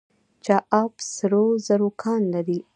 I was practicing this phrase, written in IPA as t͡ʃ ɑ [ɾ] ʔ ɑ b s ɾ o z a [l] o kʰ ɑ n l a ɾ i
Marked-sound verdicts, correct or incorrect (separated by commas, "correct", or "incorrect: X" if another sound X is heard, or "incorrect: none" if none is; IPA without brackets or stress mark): incorrect: none, incorrect: ɾ